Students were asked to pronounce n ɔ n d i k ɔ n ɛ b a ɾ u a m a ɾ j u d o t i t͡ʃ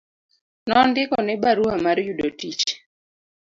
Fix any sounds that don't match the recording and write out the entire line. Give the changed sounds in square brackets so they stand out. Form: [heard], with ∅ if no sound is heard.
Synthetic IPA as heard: n ɔ n d [ɪ] k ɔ n ɛ b a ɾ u a m a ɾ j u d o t i t͡ʃ